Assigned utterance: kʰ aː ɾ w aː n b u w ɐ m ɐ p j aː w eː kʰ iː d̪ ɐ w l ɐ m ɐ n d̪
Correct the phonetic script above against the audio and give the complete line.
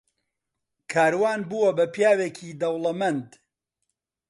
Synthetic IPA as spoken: kʰ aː ɾ w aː n b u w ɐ b ɐ p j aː w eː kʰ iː d̪ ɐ w l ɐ m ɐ n d̪